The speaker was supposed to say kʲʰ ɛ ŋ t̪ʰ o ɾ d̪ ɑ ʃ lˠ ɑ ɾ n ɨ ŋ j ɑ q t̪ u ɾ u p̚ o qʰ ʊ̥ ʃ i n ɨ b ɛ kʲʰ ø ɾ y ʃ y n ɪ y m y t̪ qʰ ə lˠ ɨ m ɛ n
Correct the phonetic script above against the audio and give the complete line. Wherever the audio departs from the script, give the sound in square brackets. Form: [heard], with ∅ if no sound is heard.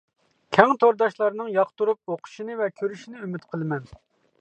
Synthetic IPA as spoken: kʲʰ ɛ ŋ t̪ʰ o ɾ d̪ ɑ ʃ lˠ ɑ ɾ n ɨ ŋ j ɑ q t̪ u ɾ u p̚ o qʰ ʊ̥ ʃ i n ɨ [v] ɛ kʲʰ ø ɾ y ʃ [i] n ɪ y m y t̪ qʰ ə lˠ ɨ m ɛ n